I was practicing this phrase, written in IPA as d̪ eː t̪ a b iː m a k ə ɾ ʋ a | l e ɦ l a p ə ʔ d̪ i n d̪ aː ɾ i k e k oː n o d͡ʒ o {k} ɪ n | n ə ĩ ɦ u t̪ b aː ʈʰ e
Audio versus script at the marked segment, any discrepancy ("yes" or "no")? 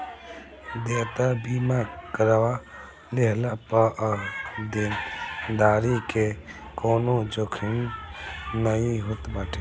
yes